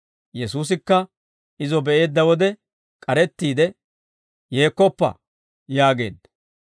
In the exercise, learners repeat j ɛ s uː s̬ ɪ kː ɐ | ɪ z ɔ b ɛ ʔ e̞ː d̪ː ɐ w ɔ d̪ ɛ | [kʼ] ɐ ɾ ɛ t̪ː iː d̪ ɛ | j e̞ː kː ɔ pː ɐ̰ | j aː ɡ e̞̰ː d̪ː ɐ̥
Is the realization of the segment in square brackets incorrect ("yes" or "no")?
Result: no